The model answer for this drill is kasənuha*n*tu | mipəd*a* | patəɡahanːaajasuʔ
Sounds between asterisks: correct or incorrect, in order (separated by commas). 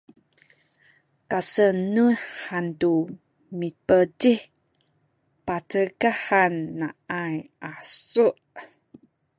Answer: correct, incorrect